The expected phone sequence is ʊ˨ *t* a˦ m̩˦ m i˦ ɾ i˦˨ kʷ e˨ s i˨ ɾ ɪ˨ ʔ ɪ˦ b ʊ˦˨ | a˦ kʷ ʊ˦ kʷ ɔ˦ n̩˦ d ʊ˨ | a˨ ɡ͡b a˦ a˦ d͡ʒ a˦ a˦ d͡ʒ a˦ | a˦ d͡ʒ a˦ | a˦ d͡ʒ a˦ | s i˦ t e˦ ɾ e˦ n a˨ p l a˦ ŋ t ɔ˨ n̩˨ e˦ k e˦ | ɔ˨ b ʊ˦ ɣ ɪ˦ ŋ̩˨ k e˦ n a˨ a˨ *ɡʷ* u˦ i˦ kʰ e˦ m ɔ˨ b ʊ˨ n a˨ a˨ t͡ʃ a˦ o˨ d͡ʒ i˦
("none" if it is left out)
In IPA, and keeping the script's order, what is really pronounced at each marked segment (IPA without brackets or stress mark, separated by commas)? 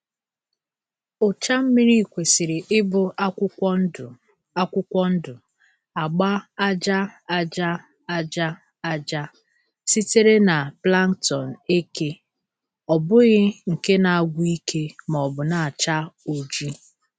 t͡ʃ, ɡʷ